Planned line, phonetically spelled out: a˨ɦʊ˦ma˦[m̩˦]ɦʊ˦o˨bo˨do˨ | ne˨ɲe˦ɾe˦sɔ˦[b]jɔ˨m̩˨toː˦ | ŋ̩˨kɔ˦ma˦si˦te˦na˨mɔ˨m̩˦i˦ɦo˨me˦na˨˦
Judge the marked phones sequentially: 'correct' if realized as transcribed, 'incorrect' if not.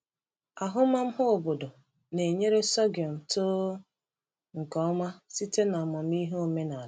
correct, incorrect

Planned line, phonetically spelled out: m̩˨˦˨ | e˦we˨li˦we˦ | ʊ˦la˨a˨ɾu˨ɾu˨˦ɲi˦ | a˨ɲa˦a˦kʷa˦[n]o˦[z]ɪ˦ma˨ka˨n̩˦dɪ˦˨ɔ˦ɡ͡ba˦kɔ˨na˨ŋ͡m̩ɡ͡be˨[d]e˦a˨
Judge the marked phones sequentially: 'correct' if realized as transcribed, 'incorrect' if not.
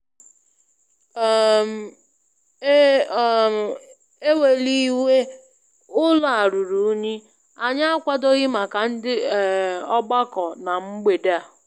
incorrect, incorrect, correct

